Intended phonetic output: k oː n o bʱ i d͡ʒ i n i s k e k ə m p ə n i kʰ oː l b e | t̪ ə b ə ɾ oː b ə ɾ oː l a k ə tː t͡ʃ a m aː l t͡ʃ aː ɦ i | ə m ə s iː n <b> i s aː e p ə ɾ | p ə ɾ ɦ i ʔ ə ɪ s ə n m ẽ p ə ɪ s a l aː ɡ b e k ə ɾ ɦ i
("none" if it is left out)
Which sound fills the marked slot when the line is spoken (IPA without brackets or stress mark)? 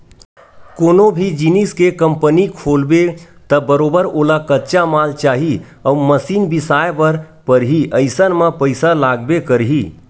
b